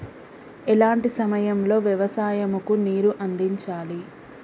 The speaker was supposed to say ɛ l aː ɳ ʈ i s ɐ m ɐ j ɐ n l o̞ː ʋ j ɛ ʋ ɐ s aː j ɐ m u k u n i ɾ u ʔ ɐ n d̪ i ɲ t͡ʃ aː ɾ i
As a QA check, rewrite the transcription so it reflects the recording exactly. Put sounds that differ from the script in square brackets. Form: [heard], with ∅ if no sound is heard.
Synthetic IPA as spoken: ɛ l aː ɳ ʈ i s ɐ m ɐ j ɐ [m] l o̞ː ʋ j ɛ ʋ ɐ s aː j ɐ m u k u n [iː] ɾ u ʔ ɐ n d̪ i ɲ t͡ʃ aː [l] i